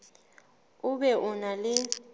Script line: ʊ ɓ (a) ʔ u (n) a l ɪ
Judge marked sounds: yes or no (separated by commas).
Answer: no, yes